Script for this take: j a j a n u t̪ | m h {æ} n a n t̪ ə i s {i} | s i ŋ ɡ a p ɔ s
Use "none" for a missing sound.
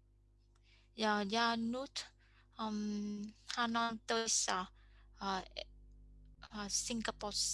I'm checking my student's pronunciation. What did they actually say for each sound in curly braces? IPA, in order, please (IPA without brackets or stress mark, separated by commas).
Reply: a, a